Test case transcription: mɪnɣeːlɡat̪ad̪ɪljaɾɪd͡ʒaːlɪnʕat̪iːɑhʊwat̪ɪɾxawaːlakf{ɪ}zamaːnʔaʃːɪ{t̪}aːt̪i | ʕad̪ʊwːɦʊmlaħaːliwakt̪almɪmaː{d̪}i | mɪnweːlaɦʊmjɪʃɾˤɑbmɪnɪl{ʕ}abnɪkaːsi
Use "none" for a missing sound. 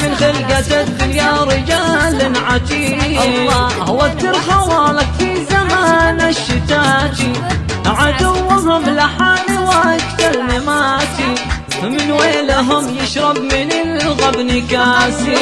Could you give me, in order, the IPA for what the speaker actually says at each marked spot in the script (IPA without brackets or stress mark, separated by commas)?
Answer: i, t̪, t̪, ɣ